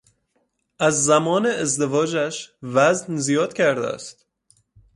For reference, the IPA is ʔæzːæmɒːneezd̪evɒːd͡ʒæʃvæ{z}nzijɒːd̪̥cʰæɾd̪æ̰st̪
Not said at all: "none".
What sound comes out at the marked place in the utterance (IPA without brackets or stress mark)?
z